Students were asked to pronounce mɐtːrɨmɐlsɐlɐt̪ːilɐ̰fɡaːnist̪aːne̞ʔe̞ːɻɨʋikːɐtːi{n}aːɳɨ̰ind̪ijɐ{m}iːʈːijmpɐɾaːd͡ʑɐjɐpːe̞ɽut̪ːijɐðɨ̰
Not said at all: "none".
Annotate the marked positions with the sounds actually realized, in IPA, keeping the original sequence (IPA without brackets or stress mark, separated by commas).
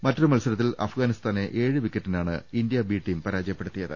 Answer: n, b